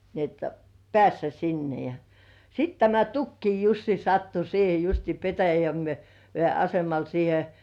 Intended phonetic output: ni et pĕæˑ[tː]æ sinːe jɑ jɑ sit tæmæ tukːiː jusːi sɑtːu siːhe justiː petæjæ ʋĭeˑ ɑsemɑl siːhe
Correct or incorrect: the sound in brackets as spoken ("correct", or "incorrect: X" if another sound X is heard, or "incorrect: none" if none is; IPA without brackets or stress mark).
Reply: incorrect: sː